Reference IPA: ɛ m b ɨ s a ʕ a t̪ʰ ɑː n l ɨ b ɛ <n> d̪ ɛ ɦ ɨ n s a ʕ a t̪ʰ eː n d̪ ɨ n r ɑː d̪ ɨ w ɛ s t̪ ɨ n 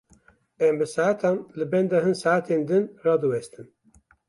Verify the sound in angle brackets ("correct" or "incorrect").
correct